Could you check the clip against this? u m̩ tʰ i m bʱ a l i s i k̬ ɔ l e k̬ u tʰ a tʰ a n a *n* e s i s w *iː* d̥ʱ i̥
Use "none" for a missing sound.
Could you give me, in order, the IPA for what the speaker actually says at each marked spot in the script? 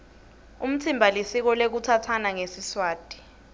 ŋ, aː

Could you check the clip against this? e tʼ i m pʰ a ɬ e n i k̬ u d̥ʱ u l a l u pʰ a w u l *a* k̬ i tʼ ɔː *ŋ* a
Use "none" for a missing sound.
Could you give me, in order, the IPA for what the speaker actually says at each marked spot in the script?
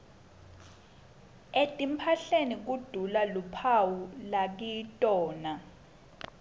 a, n

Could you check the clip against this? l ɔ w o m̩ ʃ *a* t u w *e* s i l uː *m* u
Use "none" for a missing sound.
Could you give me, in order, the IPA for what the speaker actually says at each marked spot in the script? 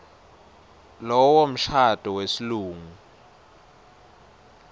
a, e, ŋ

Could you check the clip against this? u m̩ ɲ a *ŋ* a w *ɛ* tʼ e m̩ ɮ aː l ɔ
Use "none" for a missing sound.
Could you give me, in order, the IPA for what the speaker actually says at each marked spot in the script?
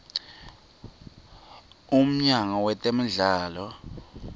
ŋ, ɛ

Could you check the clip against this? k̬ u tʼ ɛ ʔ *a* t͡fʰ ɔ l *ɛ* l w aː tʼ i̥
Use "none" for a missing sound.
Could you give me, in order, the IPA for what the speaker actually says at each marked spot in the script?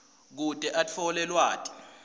a, ɛ

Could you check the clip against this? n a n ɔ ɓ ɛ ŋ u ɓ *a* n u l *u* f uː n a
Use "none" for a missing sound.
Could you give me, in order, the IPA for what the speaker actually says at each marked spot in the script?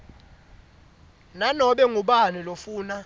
a, o

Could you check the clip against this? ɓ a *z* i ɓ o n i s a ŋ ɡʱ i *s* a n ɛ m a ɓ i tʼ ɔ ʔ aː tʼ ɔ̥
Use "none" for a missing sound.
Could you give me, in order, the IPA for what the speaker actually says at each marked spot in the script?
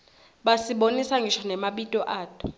s, ʃ

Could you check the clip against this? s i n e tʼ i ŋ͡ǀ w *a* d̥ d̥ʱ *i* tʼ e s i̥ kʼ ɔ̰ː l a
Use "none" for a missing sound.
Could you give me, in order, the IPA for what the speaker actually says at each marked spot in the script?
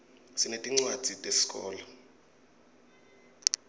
a, i

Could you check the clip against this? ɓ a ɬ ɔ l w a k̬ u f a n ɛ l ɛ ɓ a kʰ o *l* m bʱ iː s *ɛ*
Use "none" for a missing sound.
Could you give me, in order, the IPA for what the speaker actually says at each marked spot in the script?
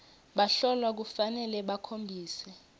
none, ɛ

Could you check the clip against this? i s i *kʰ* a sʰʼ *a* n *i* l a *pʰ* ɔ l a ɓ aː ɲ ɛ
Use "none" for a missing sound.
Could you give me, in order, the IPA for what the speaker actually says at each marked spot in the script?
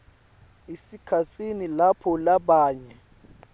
kʰ, i, i, pʰ

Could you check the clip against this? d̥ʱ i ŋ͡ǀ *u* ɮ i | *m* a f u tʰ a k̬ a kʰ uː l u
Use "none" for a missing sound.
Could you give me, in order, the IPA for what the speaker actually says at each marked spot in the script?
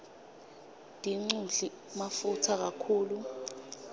u, m

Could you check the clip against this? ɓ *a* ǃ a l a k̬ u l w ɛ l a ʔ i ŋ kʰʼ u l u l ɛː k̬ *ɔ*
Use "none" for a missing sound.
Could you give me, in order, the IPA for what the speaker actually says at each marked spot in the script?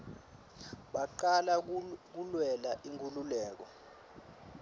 a, ɔ

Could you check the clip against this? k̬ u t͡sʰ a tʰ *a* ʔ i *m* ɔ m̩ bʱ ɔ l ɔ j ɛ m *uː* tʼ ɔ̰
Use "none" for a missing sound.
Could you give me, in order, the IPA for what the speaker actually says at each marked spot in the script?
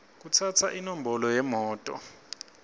a, n, ɔː

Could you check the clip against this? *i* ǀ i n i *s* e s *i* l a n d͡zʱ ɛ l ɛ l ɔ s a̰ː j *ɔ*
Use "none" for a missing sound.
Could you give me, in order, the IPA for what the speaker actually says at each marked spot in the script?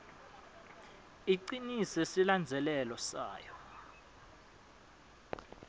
i, s, i, ɔ

